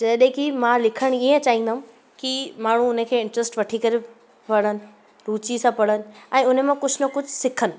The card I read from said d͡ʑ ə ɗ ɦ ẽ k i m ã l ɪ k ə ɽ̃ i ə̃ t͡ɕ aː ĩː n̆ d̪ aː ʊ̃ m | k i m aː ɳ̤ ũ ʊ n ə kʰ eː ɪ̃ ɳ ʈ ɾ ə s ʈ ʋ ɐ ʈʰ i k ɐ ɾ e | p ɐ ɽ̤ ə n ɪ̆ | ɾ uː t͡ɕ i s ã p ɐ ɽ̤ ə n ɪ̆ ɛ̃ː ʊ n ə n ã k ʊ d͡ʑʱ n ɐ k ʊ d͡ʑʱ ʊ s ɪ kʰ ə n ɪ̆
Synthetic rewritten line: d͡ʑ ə ɗ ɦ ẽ k i m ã l ɪ kʰ ə ɽ̃ i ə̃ t͡ɕ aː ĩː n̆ d̪ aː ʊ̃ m | k i m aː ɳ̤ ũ ʊ n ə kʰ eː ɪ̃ ɳ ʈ ɾ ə s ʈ ʋ ɐ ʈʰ i k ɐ ɾ e | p ɐ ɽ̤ ə n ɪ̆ | ɾ uː t͡ɕ i s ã p ɐ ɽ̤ ə n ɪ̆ ɛ̃ː ʊ n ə m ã k ʊ d͡ʑʱ n ɐ k ʊ d͡ʑʱ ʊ s ɪ kʰ ə n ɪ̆